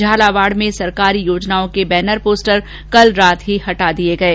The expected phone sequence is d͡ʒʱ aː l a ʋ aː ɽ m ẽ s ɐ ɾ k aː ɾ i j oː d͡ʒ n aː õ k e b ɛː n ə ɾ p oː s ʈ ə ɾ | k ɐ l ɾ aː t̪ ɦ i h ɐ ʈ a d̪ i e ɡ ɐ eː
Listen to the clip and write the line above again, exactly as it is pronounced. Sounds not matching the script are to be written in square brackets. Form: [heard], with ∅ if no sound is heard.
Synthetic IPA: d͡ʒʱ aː l a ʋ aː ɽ m ẽ s ɐ ɾ k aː ɾ i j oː d͡ʒ n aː õ k e b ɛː n ə ɾ p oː s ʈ ə ɾ | k ɐ l ɾ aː t̪ ɦ i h ɐ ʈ a d̪ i e ɡ ɐ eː